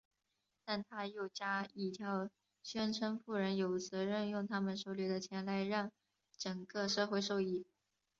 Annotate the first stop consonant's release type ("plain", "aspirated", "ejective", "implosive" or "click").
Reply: plain